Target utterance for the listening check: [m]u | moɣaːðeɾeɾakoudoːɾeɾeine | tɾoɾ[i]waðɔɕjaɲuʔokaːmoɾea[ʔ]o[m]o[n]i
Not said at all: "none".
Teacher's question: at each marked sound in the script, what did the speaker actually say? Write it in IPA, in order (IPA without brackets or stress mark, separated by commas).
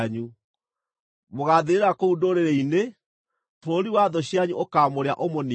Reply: ɲ, i, ʔ, m, n